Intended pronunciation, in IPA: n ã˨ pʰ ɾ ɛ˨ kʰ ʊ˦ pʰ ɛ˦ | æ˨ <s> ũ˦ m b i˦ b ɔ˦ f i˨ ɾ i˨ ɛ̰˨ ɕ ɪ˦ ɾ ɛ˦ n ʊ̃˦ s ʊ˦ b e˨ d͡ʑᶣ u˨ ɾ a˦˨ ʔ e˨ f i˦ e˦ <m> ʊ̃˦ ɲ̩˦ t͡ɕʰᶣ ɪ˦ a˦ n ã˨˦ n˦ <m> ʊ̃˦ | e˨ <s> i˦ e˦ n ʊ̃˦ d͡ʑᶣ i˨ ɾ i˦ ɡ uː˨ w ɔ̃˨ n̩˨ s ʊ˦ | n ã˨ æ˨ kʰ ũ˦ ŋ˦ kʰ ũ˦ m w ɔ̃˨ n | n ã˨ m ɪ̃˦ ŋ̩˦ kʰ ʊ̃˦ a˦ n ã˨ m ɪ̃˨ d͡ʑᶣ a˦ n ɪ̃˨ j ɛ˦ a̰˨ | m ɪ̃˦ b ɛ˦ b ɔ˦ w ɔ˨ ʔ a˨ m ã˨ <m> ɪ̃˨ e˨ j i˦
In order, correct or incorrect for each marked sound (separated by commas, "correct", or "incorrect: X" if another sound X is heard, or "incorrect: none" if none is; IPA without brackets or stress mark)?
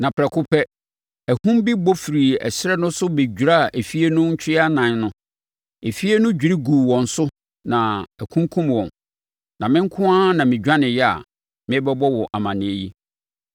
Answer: incorrect: h, incorrect: n, incorrect: n, incorrect: f, incorrect: n